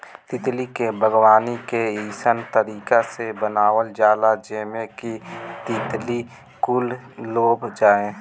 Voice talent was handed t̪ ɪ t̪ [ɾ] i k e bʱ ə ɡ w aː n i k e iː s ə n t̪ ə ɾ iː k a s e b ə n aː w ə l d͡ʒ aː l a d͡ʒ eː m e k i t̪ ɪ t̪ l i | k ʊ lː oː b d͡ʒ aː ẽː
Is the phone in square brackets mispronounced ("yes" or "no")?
yes